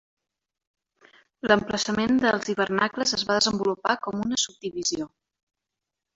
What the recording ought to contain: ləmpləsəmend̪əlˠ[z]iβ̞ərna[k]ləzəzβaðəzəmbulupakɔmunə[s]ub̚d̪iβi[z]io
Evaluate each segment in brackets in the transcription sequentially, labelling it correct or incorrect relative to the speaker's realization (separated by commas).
correct, correct, correct, correct